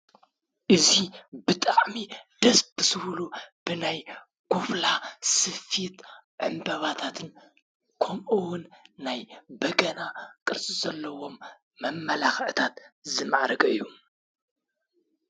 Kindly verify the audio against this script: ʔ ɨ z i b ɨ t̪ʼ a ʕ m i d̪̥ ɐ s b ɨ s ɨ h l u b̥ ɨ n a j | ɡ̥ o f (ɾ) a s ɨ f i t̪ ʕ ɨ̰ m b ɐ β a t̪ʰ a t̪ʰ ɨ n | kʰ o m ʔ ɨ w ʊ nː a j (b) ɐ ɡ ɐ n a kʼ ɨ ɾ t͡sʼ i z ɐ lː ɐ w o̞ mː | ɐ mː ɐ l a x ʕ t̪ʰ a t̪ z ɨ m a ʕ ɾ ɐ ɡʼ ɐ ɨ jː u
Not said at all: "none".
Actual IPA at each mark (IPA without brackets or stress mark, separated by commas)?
l, b